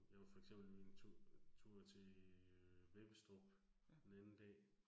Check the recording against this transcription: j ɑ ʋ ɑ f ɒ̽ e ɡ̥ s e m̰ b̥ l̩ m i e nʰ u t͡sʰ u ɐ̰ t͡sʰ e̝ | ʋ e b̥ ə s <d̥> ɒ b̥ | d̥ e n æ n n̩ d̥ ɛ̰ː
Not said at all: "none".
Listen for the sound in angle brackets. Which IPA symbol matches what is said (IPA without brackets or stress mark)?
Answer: d̥